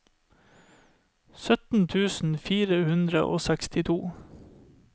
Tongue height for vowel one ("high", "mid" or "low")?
mid